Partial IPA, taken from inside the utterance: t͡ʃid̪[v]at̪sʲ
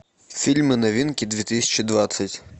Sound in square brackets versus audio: incorrect: ʋ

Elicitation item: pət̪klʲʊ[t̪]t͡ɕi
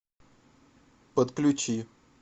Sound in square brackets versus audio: incorrect: none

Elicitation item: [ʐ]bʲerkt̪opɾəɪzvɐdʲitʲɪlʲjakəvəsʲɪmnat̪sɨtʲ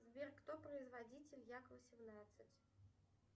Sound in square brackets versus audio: incorrect: z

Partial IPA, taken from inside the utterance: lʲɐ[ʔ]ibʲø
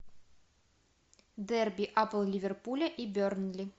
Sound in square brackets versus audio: correct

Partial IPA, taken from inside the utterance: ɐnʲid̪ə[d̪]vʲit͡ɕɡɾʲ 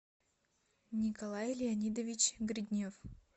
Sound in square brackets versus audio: incorrect: none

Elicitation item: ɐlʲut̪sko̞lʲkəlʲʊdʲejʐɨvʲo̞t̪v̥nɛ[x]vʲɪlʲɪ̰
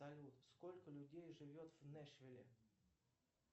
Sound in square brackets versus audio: incorrect: ʂ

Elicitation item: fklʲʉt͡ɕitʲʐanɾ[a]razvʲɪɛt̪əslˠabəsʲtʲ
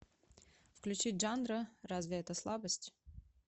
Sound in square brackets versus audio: incorrect: ə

